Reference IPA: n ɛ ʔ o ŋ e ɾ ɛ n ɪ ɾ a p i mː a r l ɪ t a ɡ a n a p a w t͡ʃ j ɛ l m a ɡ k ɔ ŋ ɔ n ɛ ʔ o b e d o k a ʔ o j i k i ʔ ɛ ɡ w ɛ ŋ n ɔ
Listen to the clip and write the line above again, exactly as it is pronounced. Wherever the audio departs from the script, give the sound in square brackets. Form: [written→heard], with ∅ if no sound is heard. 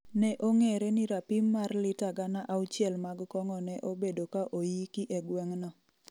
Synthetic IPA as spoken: n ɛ ʔ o ŋ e ɾ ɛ n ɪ ɾ a p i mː a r l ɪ t a ɡ a n a [p→ʔ] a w t͡ʃ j ɛ l m a ɡ k ɔ ŋ ɔ n ɛ ʔ o b e d o k a ʔ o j i k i ʔ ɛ ɡ w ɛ ŋ n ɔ